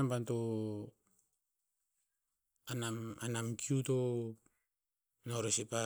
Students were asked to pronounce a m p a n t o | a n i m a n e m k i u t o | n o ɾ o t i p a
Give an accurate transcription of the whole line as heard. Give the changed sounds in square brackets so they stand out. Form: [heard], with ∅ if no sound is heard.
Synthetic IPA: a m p a n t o | a n [a] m a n [a] m k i u t o | n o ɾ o [s] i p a